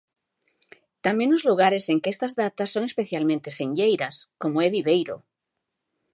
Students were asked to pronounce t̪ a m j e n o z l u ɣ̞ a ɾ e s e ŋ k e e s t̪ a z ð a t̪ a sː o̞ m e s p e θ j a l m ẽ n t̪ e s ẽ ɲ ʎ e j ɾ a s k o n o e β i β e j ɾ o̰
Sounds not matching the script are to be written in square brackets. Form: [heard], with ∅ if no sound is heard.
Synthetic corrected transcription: t̪ a m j e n o z l u ɣ̞ a ɾ e s e ŋ k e e s t̪ a z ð a t̪ a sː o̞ [ŋ] e s p e θ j a l m ẽ n t̪ e s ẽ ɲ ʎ e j ɾ a s k o [m] o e β i β e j ɾ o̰